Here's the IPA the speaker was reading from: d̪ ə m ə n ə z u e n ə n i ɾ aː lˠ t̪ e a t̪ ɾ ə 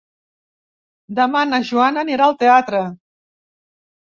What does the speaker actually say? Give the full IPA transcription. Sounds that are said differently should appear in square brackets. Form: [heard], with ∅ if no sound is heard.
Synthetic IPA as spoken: d̪ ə m [a] n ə [ʒ] u [a] n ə n i ɾ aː lˠ t̪ e a t̪ ɾ ə